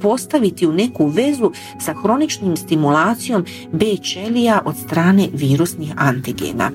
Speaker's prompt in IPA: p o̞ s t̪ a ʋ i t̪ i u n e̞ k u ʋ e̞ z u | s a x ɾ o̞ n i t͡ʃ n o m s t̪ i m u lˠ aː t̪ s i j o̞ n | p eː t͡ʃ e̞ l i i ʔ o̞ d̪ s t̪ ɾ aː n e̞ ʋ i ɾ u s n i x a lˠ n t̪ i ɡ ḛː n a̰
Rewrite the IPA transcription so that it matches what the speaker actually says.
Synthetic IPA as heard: p o̞ s t̪ a ʋ i t̪ i u n e̞ k u ʋ e̞ z u | s a x ɾ o̞ n i t͡ʃ n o m s t̪ i m u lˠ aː t̪ s i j o̞ m | b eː t͡ʃ e̞ l i a ʔ o̞ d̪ s t̪ ɾ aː n e̞ ʋ iː ɾ u s n i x a n t̪ i ɡ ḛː n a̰